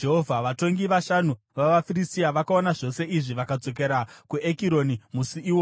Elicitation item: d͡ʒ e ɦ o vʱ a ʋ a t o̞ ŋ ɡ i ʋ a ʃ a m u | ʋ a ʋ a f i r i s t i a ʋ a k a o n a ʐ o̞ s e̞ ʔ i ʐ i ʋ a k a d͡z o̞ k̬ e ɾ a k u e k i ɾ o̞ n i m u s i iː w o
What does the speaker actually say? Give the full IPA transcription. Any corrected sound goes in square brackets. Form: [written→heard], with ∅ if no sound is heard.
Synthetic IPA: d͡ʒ e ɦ o vʱ a ʋ a t o̞ ŋ ɡ i ʋ a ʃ a [m→n] u | ʋ a ʋ a f i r i s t i a ʋ a k a o n a ʐ o̞ s e̞ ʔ i ʐ i ʋ a k a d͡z o̞ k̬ e ɾ a k u e k i ɾ o̞ n i m u s i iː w o

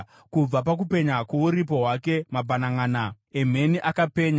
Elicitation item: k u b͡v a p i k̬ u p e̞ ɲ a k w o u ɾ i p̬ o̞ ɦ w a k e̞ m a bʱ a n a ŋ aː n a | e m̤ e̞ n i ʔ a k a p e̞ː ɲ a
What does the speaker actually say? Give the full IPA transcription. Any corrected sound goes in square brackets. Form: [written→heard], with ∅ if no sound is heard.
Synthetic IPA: k u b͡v a p [i→a] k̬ u p e̞ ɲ a k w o u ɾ i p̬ o̞ ɦ w a k e̞ m a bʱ a n a ŋ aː n a | e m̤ e̞ n i ʔ a k a p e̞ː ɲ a

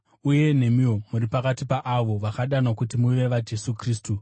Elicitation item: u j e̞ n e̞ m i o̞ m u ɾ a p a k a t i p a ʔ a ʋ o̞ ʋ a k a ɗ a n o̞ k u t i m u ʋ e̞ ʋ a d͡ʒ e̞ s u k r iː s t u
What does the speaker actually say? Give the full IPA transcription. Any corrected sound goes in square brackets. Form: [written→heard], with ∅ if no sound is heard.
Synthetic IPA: u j e̞ n e̞ m i o̞ m u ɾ [a→i] p a k a t i p a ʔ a ʋ o̞ ʋ a k a ɗ a n o̞ k u t i m u ʋ e̞ ʋ a d͡ʒ e̞ s u k r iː s t u

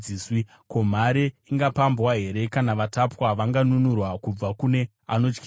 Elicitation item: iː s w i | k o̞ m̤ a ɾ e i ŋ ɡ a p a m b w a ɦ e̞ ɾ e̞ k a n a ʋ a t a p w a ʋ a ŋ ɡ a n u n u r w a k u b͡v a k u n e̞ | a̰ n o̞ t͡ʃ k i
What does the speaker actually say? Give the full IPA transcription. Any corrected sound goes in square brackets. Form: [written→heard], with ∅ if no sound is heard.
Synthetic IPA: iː s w i | k o̞ m̤ a ɾ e i ŋ ɡ a p a m b w a ɦ e̞ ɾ e̞ k a n a ʋ a t a p w a ʋ a ŋ ɡ a n u n u r w a k u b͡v a k u n e̞ | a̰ n o̞ t͡ʃ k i

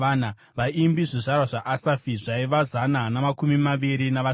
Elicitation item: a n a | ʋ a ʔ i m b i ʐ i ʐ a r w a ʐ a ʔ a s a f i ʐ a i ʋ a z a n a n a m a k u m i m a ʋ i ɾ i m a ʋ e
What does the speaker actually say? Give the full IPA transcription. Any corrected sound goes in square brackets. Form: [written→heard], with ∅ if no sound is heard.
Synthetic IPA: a n a | ʋ a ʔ i m b i ʐ i ʐ a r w a ʐ a ʔ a s a f i ʐ a i ʋ a z a n a n a m a k u m i m a ʋ i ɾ i [m→n] a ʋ [e→a]

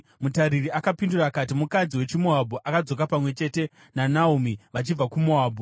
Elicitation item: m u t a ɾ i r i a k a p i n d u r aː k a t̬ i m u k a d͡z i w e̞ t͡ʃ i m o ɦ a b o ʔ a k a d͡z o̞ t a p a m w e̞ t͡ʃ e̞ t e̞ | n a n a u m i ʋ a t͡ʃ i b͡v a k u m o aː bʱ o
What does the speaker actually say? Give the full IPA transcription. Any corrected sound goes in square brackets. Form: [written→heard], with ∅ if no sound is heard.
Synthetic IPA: m u t a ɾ i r i a k a p i n d u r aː k a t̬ i m u k a d͡z i w e̞ t͡ʃ i m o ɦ a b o ʔ a k a d͡z o̞ [t→k] a p a m w e̞ t͡ʃ e̞ t e̞ | n a n a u m i ʋ a t͡ʃ i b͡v a k u m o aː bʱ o

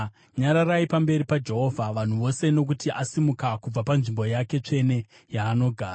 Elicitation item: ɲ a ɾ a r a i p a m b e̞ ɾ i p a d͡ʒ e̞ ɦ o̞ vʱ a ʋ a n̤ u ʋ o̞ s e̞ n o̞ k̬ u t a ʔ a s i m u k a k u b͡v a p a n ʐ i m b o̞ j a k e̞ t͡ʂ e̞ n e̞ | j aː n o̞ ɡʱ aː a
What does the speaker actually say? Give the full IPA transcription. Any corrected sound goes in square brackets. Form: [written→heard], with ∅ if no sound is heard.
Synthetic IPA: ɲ a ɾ a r a i p a m b e̞ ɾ i p a d͡ʒ e̞ ɦ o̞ vʱ a ʋ a n̤ u ʋ o̞ s e̞ n o̞ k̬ u t [a→i] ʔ a s i m u k a k u b͡v a p a n ʐ i m b o̞ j a k e̞ t͡ʂ e̞ n e̞ | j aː n o̞ ɡʱ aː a

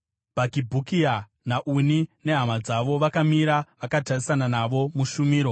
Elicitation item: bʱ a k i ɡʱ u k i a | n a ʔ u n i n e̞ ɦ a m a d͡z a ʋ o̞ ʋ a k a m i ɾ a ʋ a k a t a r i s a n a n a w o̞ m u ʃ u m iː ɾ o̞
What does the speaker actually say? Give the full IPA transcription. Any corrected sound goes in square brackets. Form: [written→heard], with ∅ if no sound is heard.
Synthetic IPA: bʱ a k i [ɡʱ→bʱ] u k i a | n a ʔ u n i n e̞ ɦ a m a d͡z a ʋ o̞ ʋ a k a m i ɾ a ʋ a k a t a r i s a n a n a [w→ʋ] o̞ m u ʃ u m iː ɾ o̞

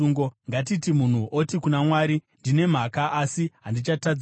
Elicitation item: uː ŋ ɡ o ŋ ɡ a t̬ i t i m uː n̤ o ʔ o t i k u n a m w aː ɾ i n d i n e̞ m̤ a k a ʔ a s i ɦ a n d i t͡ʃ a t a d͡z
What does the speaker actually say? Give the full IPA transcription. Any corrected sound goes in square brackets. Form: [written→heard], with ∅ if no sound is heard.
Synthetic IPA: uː ŋ ɡ o ŋ ɡ a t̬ i t i m [uː→u] n̤ [o→u] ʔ o t i k u n a m w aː ɾ i n d i n e̞ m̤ a k a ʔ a s i ɦ a n d i t͡ʃ a t a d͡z

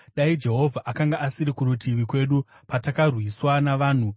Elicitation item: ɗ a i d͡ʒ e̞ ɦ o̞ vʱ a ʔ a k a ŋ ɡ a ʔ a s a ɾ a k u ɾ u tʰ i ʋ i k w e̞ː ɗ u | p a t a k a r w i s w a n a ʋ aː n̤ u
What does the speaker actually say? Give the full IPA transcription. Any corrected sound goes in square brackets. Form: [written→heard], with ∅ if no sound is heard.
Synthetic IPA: ɗ a i d͡ʒ e̞ ɦ o̞ vʱ a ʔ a k a ŋ ɡ a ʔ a s [a→i] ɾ [a→i] k u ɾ u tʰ i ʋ i k w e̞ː ɗ u | p a t a k a r w i s w a n a ʋ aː n̤ u

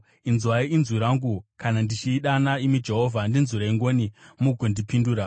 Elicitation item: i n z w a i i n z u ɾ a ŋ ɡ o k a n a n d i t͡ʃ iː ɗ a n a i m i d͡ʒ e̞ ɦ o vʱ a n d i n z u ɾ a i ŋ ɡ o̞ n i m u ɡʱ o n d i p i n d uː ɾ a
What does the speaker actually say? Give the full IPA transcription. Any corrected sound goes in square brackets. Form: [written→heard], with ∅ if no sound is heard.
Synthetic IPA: i n z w a i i n z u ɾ a ŋ ɡ [o→u] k a n a n d i t͡ʃ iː ɗ a n a i m i d͡ʒ e̞ ɦ o vʱ a n d i n z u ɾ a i ŋ ɡ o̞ n i m u ɡʱ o n d i p i n d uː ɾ a

